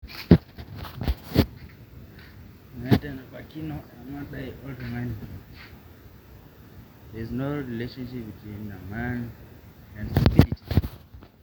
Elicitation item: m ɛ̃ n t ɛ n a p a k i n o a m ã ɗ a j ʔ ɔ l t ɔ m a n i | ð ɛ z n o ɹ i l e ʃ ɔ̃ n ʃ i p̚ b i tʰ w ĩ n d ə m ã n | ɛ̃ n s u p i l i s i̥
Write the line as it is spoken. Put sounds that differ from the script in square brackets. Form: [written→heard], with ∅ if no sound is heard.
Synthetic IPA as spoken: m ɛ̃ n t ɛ n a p a k i n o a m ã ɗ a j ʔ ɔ l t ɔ m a n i | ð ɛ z n o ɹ i l e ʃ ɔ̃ n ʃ i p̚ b i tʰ w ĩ n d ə m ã n | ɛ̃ n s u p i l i [s→t] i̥